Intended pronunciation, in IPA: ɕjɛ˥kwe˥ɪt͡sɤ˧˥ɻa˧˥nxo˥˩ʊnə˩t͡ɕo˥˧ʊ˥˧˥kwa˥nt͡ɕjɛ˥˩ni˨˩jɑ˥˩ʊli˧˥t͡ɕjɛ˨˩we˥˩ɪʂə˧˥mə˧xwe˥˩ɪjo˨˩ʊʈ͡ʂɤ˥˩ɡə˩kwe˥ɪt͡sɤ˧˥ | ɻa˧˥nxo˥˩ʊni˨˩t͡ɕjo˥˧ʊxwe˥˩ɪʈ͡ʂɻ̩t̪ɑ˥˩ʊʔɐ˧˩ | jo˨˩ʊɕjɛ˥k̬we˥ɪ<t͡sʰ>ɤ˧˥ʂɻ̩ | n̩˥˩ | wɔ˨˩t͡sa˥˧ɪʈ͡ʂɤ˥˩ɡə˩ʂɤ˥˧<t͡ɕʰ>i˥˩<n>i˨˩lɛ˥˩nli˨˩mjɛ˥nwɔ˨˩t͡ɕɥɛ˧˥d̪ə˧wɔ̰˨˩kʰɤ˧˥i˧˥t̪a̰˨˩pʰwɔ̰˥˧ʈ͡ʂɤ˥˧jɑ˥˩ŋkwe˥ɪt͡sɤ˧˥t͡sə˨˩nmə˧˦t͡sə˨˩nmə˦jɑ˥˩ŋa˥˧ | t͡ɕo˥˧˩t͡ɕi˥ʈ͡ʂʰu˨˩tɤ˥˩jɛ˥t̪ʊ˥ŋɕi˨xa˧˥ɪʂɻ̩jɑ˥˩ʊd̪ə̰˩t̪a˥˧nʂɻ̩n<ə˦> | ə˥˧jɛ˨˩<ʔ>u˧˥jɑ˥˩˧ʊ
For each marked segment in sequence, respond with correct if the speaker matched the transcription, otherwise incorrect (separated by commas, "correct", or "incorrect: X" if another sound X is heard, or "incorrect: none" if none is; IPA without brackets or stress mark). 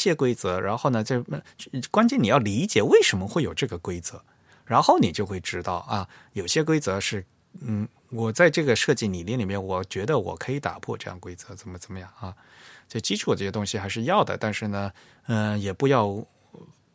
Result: incorrect: t͡s, incorrect: t͡ɕ, correct, incorrect: ə˩, incorrect: p